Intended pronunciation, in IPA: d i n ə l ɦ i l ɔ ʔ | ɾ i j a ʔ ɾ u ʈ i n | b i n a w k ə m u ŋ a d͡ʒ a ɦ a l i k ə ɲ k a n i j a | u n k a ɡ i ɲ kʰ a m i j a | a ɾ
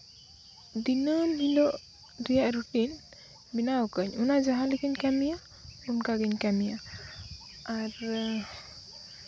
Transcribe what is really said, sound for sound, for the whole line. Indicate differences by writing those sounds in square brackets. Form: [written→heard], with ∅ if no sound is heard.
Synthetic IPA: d i n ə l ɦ i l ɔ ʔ | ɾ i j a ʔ ɾ u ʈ i n | b i n a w k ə [m→ɲ] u [ŋ→n] a d͡ʒ a ɦ a l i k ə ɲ k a [n→m] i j a | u n k a ɡ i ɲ [kʰ→k] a m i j a | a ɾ